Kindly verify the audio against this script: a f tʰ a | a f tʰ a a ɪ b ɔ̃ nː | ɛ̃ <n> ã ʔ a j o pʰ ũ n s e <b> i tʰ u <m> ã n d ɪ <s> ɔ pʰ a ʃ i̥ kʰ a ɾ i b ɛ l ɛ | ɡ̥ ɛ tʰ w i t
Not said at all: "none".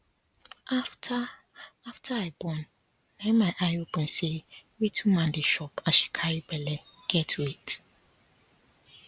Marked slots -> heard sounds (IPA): m, w, m, ʃ

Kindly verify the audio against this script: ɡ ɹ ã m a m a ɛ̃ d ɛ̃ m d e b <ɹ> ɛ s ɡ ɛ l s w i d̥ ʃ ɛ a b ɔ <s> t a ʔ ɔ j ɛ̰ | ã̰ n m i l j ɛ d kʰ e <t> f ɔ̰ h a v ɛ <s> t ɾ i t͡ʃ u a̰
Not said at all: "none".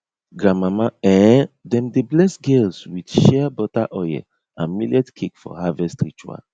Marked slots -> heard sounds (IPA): l, none, k, s

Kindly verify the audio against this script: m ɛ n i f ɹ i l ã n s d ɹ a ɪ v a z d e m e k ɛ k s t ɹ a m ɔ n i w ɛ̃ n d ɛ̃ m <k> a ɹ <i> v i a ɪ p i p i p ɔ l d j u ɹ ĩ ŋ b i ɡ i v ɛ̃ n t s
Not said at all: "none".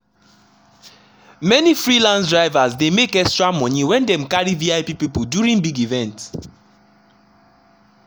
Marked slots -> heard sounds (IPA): k, i

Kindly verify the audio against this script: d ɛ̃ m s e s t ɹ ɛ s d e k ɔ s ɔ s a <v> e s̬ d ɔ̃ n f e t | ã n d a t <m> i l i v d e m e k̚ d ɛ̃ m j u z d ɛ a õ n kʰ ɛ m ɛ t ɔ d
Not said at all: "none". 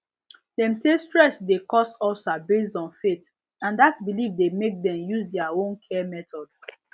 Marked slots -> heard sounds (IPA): b, b

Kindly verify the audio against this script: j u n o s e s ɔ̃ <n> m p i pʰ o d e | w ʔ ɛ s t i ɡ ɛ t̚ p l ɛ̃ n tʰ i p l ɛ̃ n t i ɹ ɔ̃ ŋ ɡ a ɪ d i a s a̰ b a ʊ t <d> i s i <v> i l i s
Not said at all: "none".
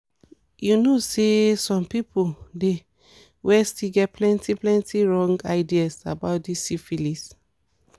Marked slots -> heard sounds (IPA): none, d, f

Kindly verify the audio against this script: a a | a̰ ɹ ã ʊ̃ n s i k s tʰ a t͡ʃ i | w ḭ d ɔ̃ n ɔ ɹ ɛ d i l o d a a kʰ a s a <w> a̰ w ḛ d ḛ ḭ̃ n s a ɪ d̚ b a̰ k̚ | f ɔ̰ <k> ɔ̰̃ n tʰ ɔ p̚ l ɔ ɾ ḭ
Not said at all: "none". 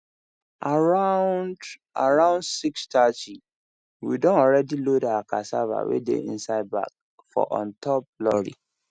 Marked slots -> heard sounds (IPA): v, ʔ

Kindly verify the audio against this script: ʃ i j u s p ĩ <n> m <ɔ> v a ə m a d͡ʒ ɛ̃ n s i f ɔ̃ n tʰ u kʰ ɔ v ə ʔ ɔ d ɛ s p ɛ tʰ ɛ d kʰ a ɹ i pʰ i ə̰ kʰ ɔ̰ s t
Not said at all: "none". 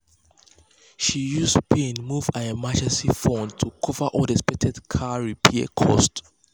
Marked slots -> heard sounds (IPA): n, u

